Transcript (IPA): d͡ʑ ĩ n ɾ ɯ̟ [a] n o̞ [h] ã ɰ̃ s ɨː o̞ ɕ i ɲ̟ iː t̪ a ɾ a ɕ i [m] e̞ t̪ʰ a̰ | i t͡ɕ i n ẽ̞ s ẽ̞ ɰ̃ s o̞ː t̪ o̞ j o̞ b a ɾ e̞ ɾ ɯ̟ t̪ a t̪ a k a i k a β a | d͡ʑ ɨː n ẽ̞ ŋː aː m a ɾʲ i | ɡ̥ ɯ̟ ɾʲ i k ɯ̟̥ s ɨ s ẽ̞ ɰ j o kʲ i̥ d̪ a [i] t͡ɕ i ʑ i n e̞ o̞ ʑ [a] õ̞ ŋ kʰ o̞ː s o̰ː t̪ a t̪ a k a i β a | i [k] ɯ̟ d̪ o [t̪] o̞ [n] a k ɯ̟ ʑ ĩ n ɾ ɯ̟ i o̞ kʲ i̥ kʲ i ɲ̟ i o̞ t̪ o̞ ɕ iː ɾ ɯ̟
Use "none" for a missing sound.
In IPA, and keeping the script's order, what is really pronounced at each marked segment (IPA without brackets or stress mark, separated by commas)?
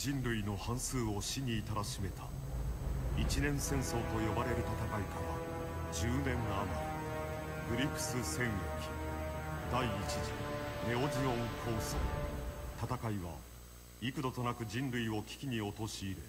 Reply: i, h, m, iː, i, k, t̪, n